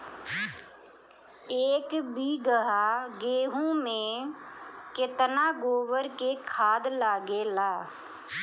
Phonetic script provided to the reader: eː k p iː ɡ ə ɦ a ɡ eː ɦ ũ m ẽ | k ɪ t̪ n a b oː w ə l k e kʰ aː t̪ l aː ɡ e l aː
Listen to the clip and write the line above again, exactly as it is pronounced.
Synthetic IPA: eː k b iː ɡ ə ɦ a ɡ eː ɦ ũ m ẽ | k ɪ t̪ n a ɡ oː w ə ɾ k e kʰ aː d̪ l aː ɡ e l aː